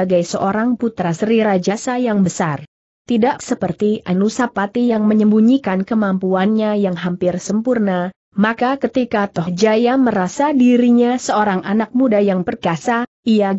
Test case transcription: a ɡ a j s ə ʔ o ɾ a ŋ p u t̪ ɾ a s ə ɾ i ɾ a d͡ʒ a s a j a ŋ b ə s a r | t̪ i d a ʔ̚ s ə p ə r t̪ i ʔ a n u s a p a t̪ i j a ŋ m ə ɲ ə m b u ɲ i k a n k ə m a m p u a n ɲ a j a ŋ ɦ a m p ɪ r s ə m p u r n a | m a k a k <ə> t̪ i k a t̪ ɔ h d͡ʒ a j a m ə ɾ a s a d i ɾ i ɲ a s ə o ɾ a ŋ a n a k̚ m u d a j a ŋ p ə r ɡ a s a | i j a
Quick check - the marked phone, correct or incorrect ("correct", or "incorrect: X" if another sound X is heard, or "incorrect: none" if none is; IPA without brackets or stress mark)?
correct